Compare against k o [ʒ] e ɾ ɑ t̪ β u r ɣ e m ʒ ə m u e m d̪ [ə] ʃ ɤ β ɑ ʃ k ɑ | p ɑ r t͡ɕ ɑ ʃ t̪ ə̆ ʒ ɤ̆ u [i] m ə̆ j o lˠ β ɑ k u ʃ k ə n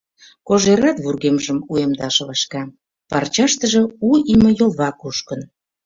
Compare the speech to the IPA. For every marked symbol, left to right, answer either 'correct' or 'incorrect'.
correct, incorrect, correct

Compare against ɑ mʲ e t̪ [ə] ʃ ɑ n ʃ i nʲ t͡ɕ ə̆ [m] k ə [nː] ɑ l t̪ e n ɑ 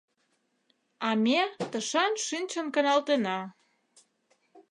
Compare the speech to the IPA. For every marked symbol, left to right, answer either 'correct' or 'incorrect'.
correct, incorrect, incorrect

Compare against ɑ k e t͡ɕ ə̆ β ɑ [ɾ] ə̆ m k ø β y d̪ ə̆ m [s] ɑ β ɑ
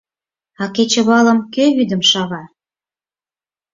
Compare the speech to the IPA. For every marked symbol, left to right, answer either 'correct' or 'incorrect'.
incorrect, incorrect

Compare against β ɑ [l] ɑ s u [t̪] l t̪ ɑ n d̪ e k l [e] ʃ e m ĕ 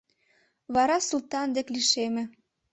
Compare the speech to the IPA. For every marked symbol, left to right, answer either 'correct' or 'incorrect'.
incorrect, incorrect, incorrect

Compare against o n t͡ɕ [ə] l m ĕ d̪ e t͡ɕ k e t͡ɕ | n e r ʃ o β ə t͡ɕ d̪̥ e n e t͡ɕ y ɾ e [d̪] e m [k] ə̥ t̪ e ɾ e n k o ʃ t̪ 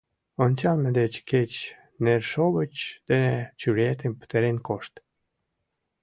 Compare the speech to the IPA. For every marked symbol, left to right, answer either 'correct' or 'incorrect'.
incorrect, incorrect, incorrect

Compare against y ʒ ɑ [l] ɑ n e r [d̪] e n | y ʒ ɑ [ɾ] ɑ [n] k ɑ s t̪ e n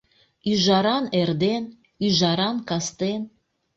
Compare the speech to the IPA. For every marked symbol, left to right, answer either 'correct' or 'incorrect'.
incorrect, correct, correct, correct

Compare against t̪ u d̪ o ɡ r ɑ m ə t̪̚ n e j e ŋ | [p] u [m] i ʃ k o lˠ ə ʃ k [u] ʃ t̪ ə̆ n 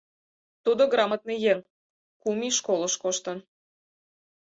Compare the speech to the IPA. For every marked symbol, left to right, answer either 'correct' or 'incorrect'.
incorrect, correct, incorrect

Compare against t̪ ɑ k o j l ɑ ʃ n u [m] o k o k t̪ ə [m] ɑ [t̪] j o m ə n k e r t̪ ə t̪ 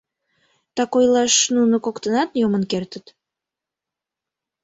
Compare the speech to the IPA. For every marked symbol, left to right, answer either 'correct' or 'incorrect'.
incorrect, incorrect, correct

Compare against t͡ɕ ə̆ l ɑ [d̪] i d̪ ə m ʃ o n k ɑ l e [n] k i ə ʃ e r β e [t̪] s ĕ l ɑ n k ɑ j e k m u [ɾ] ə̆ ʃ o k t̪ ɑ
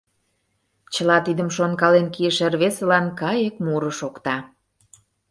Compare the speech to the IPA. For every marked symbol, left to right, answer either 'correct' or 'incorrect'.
incorrect, correct, incorrect, correct

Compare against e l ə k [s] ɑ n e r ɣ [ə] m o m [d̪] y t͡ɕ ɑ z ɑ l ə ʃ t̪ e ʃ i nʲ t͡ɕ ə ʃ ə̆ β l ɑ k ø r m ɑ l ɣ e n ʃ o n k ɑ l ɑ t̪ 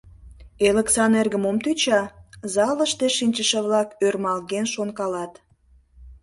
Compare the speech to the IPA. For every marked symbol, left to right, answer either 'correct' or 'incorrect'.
correct, correct, incorrect

